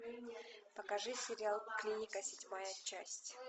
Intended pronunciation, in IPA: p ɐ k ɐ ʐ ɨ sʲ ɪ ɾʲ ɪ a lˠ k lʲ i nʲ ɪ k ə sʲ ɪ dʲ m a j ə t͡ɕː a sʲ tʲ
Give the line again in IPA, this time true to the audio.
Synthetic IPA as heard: p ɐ k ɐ ʐ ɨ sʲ ɪ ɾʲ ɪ a lˠ k lʲ i nʲ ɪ k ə sʲ ɪ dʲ m a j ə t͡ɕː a sʲ tʲ